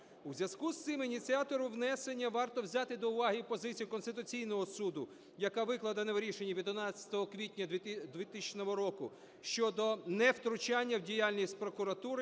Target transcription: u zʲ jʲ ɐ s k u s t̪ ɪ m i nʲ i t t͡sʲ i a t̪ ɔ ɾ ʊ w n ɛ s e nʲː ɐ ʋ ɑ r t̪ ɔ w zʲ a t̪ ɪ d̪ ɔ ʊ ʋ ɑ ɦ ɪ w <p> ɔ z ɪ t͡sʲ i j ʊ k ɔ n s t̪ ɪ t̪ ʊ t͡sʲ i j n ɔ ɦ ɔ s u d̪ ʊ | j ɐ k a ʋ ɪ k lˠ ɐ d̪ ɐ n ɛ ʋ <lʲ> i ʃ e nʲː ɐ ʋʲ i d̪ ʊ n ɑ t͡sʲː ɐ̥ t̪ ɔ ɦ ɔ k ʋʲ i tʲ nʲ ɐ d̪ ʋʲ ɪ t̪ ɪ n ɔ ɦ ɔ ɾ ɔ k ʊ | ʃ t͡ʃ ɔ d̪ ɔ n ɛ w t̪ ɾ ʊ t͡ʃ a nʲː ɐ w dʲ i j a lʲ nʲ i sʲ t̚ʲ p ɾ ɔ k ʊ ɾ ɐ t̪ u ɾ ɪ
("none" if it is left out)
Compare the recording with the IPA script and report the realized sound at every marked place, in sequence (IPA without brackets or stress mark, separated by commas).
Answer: p, ɾʲ